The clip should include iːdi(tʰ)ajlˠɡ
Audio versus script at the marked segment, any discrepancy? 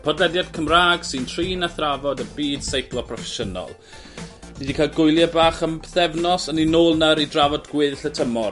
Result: yes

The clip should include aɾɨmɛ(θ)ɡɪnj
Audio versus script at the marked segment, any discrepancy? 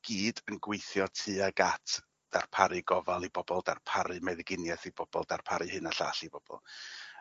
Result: yes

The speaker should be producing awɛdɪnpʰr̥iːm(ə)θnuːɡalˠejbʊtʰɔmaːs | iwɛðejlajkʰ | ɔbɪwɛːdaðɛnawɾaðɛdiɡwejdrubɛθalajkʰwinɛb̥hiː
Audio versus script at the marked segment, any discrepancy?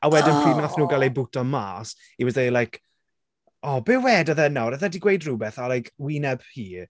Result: yes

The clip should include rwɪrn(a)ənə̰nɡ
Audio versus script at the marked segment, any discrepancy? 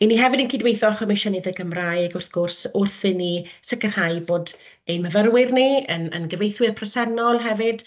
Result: yes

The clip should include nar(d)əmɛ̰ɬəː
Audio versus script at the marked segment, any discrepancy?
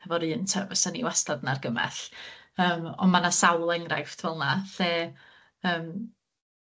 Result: yes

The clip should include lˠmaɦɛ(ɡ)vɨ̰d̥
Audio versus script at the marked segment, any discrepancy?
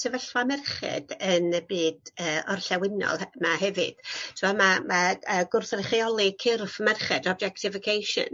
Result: yes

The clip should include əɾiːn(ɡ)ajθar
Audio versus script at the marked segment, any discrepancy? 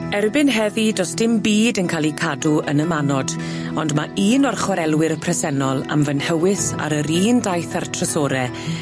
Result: yes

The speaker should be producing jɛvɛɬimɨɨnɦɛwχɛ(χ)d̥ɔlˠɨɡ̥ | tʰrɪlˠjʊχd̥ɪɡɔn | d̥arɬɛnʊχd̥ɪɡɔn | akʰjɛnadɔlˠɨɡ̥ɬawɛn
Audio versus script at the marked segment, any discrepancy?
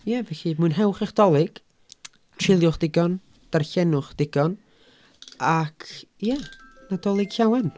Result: no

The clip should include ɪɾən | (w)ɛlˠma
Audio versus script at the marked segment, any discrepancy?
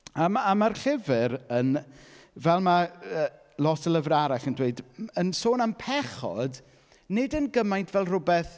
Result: yes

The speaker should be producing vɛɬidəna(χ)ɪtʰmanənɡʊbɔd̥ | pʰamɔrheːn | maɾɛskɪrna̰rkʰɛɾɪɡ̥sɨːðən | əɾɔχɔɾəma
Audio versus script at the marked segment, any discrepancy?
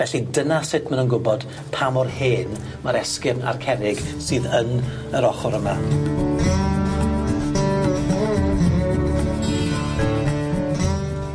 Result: yes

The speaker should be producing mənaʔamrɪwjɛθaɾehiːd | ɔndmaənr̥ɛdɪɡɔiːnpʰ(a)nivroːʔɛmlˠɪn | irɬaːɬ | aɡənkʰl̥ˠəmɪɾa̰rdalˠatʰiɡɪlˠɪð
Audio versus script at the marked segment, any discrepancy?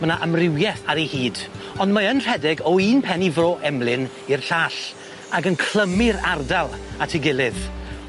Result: yes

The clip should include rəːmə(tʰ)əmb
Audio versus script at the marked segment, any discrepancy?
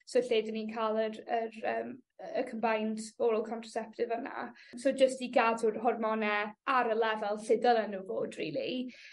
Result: yes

